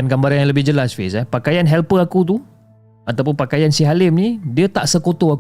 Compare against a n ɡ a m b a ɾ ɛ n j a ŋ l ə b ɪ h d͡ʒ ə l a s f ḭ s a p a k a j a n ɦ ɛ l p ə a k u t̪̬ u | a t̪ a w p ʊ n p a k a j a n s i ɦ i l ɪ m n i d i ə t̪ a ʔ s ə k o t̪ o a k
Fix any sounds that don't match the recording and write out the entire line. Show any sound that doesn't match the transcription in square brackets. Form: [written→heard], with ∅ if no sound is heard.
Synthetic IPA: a n ɡ a m b a ɾ [ɛ→a] n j a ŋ l ə b ɪ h d͡ʒ ə l a s f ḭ s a p a k a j a n ɦ ɛ l p ə a k u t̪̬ u | a t̪ a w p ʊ n p a k a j a n s i ɦ [i→a] l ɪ m n i d i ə t̪ a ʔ s ə k o t̪ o a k